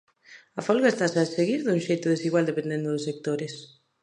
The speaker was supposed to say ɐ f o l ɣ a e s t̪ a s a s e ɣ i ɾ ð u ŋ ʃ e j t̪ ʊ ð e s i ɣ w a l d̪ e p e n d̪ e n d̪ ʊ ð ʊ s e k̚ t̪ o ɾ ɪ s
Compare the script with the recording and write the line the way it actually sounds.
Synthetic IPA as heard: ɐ f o l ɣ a e s t̪ a s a s e ɣ i ɾ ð u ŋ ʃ e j t̪ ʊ ð e s i ɣ w a l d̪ e p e n d̪ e n d̪ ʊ ð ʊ s e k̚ t̪ o ɾ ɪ s